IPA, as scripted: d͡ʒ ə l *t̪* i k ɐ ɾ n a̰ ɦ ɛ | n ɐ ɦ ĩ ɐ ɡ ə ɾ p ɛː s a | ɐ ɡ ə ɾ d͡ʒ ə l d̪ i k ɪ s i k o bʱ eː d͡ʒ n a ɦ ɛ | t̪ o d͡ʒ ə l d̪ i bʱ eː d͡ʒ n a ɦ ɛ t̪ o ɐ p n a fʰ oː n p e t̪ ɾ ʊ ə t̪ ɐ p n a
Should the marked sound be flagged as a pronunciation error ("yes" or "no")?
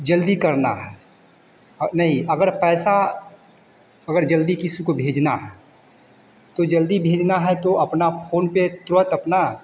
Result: yes